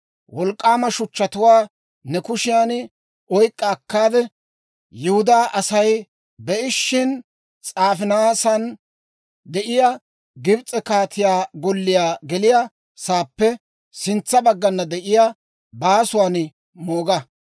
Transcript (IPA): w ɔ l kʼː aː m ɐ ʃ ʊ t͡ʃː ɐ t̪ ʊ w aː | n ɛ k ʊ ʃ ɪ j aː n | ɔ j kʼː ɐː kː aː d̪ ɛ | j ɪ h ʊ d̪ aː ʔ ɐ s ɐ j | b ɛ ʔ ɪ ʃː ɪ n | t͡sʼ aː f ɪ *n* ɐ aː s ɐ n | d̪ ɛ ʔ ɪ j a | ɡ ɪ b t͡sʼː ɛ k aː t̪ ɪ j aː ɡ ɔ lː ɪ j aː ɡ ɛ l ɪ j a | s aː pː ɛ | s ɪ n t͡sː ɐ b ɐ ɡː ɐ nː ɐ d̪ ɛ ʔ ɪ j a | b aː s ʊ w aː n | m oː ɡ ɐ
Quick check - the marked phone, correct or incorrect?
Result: correct